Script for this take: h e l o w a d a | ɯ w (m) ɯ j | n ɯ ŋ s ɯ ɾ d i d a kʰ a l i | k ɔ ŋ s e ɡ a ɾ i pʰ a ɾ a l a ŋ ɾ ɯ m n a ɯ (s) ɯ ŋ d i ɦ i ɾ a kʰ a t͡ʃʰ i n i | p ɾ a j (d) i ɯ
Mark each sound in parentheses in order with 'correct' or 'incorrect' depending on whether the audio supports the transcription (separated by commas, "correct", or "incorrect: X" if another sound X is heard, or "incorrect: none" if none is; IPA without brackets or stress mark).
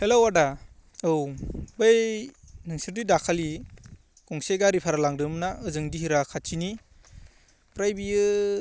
incorrect: b, incorrect: z, incorrect: b